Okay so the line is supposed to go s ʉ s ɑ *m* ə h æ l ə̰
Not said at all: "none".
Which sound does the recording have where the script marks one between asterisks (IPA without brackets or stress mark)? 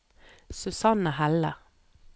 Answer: n